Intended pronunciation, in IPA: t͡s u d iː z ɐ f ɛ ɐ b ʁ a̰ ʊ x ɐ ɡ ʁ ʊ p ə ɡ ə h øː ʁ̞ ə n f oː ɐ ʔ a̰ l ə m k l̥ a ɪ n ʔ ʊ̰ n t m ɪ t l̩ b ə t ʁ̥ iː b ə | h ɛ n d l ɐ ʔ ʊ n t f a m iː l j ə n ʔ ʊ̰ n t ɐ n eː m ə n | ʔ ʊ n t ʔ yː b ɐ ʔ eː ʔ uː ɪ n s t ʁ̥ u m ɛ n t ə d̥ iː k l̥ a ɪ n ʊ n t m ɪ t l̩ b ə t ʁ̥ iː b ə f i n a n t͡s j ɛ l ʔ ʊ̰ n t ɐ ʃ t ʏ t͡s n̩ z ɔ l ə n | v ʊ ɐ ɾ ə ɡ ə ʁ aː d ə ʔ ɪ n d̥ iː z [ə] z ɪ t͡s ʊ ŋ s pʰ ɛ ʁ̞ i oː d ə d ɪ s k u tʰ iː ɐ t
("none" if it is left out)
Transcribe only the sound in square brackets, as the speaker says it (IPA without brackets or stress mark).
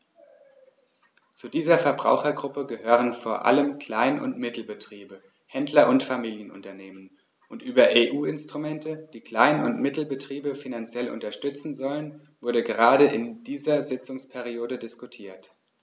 ɐ